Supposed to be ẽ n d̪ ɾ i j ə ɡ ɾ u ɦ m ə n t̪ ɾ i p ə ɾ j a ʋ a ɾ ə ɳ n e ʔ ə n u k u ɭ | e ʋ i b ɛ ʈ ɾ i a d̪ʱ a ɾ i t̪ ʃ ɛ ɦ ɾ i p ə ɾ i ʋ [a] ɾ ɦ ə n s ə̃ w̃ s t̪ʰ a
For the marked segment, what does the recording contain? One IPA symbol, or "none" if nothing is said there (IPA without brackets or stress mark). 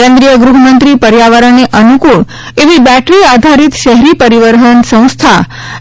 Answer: ə